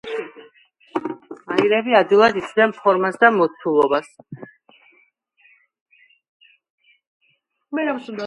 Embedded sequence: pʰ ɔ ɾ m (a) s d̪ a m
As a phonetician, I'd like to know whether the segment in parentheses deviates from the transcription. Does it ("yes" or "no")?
no